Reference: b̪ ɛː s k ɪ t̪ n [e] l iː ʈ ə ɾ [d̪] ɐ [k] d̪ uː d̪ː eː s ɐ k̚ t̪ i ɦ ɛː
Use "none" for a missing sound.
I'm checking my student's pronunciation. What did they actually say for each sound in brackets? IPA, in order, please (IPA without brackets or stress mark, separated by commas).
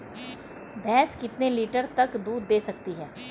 e, t̪, k